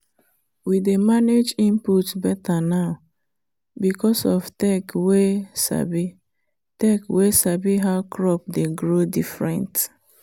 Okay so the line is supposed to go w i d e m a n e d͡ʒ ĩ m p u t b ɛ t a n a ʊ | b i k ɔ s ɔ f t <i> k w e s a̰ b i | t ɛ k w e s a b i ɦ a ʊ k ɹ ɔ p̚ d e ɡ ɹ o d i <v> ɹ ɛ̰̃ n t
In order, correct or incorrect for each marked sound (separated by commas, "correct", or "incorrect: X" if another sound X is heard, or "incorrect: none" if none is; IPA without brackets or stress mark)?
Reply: incorrect: ɛ, incorrect: f